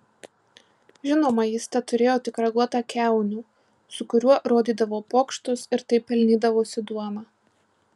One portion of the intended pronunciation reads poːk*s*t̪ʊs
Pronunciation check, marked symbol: incorrect: ʃ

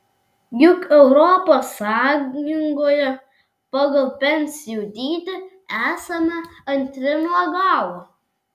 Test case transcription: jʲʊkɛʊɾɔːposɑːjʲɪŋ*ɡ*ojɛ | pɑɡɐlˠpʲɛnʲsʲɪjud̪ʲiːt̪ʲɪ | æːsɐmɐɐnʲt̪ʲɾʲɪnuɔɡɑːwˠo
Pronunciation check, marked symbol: correct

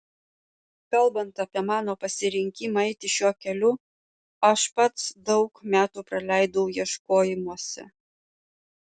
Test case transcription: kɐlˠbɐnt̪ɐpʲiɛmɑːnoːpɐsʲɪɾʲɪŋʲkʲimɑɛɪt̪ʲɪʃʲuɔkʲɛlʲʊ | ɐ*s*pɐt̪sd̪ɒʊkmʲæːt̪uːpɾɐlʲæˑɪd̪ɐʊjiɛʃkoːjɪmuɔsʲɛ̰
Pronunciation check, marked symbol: incorrect: ʃ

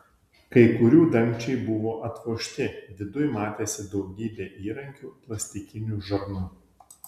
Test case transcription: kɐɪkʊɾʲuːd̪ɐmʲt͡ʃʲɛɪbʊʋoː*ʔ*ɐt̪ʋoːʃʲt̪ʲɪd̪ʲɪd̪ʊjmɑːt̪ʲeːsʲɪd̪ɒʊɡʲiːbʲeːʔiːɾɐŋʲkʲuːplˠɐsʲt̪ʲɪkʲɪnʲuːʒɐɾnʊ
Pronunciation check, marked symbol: correct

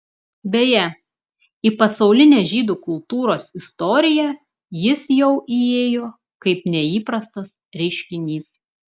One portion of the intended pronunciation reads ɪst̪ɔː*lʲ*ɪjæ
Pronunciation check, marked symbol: incorrect: ɾʲ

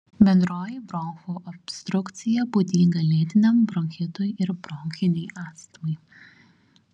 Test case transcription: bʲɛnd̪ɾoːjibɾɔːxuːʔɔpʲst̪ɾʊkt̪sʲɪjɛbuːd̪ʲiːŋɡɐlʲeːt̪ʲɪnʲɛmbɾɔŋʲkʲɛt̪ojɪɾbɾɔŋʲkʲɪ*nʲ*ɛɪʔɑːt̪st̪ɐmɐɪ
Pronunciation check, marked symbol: correct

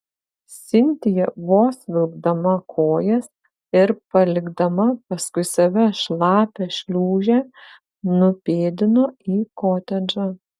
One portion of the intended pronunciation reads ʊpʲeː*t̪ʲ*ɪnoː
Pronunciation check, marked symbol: incorrect: d̪ʲ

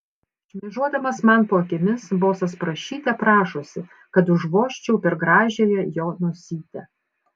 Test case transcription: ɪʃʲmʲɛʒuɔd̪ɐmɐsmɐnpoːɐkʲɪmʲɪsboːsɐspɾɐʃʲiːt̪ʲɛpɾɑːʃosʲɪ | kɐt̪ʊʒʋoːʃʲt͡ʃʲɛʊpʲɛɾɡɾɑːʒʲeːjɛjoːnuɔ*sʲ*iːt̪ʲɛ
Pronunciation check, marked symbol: correct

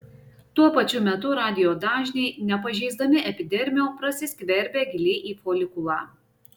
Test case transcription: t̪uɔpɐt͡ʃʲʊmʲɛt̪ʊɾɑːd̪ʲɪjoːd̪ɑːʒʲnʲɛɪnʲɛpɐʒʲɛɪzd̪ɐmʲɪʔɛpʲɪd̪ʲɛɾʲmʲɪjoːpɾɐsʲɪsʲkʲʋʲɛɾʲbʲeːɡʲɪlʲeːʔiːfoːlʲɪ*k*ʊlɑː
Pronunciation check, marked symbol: correct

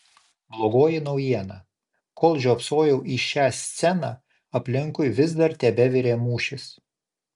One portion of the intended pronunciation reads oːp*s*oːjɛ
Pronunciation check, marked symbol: correct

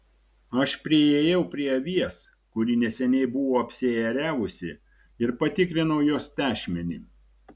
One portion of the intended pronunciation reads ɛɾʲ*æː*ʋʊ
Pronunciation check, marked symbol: correct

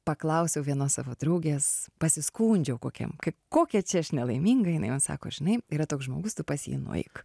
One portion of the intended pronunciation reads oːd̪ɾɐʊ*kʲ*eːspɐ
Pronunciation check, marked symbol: incorrect: ɡʲ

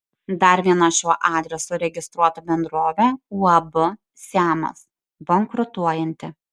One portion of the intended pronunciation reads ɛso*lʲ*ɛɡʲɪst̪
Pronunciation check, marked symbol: incorrect: ɾʲ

